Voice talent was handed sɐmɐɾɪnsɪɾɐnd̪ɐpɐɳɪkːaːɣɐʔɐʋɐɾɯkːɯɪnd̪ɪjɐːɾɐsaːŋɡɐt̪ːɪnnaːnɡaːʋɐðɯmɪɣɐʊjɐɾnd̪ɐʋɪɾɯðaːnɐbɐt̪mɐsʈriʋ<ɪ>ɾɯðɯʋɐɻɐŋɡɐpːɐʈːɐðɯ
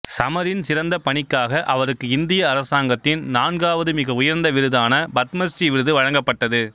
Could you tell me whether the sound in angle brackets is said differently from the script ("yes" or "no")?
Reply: no